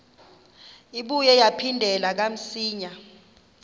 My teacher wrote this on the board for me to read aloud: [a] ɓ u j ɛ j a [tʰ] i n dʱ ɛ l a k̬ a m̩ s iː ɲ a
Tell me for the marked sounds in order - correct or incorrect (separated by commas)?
incorrect, incorrect